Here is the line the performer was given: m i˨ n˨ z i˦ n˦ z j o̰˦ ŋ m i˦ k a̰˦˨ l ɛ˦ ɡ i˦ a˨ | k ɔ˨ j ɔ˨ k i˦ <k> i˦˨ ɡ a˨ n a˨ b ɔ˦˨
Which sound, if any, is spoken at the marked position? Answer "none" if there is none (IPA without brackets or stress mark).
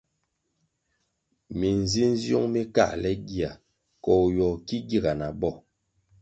ɡ